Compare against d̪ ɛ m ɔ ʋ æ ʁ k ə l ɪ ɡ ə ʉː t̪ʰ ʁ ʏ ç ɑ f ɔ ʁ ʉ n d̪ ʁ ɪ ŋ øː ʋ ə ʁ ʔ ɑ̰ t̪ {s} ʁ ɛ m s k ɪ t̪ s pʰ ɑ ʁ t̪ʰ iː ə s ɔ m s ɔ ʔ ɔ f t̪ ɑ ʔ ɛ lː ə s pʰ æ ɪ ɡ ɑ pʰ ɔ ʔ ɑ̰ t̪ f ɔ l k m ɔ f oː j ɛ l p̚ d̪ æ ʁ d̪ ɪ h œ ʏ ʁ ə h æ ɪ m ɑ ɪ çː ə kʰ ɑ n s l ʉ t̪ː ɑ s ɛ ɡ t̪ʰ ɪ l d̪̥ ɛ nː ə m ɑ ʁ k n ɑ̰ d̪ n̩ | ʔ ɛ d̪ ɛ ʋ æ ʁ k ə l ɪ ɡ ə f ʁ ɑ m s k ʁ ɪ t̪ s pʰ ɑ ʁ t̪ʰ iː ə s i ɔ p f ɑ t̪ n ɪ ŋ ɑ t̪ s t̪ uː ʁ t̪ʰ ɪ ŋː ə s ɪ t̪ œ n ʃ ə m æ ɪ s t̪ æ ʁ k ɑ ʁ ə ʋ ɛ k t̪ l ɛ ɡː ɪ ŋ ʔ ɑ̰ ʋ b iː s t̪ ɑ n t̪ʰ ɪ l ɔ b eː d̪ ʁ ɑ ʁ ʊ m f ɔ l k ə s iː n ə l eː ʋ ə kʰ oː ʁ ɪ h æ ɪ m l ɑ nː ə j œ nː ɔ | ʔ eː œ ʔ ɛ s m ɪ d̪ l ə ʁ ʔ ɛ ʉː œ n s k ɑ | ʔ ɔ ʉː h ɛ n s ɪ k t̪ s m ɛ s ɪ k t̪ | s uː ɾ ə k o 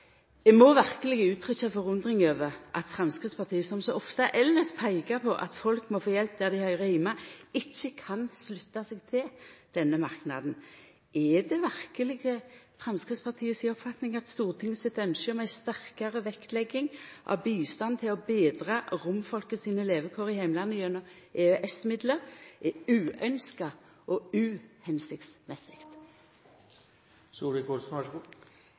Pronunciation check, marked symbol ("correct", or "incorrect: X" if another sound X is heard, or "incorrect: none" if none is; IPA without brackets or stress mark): incorrect: f